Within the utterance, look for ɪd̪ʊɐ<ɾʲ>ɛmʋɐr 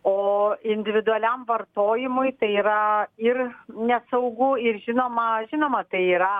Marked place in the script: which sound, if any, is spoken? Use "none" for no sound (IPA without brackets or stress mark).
lʲ